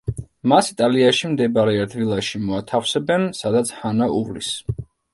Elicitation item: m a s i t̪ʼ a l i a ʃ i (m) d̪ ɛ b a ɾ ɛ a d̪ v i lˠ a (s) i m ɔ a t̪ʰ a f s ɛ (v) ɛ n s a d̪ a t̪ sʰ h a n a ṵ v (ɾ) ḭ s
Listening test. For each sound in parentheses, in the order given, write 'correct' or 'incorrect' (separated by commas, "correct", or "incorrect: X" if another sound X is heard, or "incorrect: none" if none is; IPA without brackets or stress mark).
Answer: correct, incorrect: ʃ, incorrect: b, incorrect: l